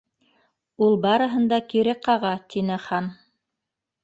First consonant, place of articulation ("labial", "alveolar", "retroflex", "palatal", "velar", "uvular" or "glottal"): alveolar